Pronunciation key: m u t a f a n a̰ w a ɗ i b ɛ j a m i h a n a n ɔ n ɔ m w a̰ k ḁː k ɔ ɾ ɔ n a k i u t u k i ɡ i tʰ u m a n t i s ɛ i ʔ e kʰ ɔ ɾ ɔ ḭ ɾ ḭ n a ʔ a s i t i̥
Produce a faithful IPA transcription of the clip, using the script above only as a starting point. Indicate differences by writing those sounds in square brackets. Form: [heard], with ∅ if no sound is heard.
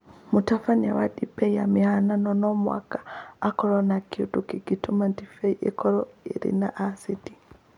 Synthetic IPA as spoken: m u t a f a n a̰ w a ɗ i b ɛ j a m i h a n a n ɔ n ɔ m w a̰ k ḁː k ɔ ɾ ɔ n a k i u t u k i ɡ i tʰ u m a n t i [f] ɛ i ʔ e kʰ ɔ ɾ ɔ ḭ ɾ ḭ n a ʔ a s i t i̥